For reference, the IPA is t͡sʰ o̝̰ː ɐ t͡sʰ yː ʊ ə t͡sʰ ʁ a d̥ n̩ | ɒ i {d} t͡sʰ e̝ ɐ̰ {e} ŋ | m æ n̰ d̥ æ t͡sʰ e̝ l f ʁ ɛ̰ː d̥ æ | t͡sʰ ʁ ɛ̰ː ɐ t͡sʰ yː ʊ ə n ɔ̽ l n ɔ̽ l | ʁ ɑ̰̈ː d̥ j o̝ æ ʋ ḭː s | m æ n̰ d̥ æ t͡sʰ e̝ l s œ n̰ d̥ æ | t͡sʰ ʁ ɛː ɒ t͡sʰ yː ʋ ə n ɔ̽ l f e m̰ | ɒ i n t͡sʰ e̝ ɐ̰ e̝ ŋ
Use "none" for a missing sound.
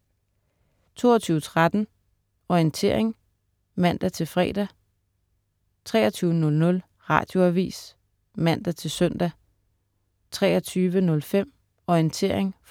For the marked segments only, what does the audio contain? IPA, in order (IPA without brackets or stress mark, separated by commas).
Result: n, e